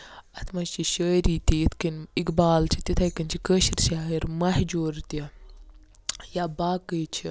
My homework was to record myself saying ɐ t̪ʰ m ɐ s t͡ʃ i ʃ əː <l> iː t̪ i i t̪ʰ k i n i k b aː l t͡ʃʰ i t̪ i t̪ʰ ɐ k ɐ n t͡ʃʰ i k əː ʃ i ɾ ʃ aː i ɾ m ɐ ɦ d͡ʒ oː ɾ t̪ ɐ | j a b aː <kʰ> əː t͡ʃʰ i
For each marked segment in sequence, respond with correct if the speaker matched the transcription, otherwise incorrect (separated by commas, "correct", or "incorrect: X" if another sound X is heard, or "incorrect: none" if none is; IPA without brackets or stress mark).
incorrect: ɾ, incorrect: k